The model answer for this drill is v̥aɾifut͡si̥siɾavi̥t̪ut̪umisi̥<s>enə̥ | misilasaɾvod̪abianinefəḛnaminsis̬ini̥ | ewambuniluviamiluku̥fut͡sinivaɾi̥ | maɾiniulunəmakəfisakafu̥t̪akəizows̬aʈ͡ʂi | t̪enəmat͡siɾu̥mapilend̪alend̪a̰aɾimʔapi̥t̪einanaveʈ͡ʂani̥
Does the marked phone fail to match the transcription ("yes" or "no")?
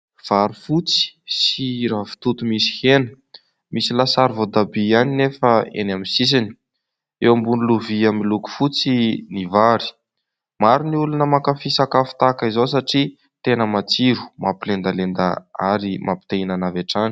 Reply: yes